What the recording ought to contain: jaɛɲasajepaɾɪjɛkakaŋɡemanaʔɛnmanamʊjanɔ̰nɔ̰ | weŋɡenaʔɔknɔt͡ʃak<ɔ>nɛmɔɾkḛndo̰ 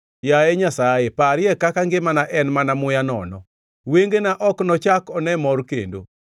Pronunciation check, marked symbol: correct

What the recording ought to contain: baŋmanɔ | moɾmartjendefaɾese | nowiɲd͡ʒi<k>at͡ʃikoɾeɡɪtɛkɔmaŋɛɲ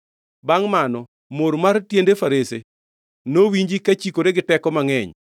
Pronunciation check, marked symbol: correct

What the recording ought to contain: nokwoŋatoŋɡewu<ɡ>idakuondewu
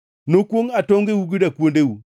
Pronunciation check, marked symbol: correct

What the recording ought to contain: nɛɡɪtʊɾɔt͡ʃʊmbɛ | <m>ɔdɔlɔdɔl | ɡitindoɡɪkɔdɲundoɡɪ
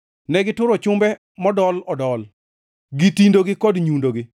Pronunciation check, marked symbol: correct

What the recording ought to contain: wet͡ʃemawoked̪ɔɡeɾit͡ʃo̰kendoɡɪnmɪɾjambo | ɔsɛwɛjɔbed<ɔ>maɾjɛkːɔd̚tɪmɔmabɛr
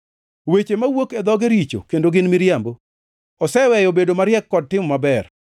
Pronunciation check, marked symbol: incorrect: o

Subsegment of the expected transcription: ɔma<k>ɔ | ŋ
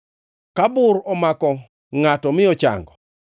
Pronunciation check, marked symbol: correct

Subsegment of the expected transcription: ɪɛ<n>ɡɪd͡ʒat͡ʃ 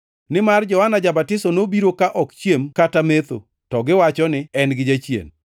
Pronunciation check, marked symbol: correct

